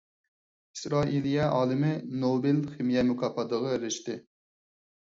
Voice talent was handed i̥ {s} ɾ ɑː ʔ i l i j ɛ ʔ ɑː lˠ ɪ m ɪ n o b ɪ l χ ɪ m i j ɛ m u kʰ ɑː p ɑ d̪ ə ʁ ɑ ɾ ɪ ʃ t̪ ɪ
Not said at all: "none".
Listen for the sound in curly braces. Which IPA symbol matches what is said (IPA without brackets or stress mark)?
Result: s